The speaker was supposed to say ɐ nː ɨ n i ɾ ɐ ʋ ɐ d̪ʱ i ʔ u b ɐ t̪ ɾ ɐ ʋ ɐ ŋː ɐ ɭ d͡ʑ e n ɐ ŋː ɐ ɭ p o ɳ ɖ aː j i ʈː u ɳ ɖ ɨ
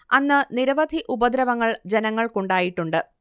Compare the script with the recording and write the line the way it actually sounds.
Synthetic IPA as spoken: ɐ nː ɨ n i ɾ ɐ ʋ ɐ d̪ʱ i ʔ u b ɐ d̪ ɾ ɐ ʋ ɐ ŋː ɐ ɭ d͡ʑ e n ɐ ŋː ɐ ɭ k o ɳ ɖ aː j i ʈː u ɳ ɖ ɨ